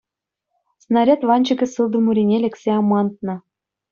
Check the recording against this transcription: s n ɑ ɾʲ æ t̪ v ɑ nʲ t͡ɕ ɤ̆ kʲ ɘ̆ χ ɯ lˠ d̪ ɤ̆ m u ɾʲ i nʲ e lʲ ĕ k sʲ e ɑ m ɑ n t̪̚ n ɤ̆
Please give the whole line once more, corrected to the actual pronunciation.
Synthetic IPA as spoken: s n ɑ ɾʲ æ t̪ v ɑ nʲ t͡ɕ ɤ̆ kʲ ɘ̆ s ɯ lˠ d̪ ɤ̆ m u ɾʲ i nʲ e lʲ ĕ k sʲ e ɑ m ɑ n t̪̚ n ɤ̆

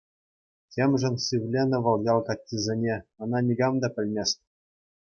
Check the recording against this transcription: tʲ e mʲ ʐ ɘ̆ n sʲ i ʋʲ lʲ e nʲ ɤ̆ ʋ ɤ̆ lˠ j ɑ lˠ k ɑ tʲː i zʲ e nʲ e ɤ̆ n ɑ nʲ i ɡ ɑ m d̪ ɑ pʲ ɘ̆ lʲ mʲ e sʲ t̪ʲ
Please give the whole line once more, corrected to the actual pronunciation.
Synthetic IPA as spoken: tʲ e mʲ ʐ ɘ̆ n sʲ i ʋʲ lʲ e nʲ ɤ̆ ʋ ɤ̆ lˠ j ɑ lˠ k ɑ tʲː i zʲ e nʲ e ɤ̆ n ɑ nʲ i ɡ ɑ m d̪ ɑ pʲ ɘ̆ lʲ mʲ e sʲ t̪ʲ

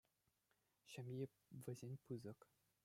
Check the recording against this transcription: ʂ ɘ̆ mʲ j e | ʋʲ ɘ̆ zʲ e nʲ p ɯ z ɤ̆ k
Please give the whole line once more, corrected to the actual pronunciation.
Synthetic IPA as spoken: ɕ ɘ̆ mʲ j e | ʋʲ ɘ̆ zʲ e nʲ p ɯ z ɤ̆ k

